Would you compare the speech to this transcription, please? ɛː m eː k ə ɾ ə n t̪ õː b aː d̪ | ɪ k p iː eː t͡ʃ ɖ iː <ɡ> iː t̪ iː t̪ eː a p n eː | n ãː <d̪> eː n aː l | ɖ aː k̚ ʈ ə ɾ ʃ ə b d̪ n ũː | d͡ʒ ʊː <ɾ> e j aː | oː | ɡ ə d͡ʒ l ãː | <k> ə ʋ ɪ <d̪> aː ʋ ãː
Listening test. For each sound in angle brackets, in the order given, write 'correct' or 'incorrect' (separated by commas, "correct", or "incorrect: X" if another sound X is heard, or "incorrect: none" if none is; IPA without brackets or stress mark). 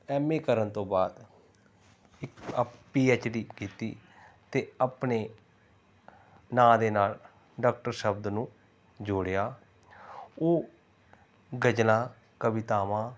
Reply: incorrect: k, correct, incorrect: ɽ, correct, incorrect: t̪